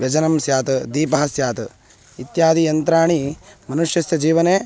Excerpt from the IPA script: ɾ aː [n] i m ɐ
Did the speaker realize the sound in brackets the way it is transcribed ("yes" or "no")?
no